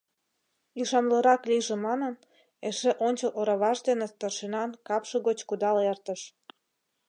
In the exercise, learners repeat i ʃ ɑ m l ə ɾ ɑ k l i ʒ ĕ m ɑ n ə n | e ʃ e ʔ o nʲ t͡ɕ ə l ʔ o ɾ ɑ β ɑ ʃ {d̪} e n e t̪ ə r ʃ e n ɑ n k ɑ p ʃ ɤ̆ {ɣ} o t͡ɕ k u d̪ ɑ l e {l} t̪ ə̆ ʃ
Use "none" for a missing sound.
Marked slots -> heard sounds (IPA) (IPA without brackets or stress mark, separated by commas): d̪, ɣ, r